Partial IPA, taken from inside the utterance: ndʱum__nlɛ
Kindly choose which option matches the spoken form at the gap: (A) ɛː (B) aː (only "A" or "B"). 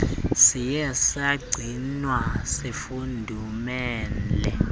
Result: A